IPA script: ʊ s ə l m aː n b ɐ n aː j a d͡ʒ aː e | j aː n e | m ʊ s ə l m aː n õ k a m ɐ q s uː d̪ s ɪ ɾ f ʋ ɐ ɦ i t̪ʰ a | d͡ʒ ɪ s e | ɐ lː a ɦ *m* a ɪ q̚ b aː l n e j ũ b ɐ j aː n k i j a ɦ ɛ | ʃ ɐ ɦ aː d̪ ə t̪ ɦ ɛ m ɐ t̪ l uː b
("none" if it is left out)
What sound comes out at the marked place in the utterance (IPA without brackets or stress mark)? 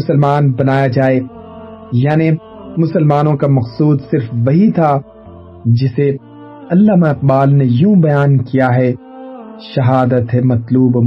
m